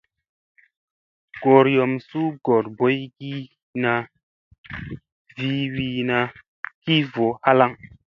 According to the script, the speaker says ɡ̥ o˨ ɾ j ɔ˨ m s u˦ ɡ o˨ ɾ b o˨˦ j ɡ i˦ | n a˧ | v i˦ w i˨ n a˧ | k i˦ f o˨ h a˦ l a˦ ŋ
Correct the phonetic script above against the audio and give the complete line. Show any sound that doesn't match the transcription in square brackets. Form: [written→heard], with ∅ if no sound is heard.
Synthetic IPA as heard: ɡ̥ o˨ ɾ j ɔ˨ m s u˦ ɡ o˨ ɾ b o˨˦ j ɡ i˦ | n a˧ | v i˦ w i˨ n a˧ | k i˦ [f→v] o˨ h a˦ l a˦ ŋ